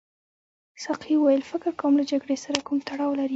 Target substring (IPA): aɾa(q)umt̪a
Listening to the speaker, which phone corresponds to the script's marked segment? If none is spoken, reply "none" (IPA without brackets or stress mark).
k